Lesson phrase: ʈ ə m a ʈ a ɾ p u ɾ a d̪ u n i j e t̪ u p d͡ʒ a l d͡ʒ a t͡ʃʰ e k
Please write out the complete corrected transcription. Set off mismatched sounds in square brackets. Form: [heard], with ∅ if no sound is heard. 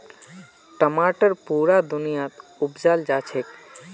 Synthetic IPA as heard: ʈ ə m a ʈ [ə] ɾ p u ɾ a d̪ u n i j [a] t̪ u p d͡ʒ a l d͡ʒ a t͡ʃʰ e k